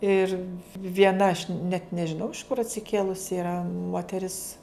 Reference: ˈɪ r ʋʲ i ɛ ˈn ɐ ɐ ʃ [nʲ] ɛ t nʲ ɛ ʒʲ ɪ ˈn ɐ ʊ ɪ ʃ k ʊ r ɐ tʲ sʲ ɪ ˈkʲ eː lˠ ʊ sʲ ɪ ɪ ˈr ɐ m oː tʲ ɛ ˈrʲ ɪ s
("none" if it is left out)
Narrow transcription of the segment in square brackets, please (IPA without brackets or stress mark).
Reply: nʲ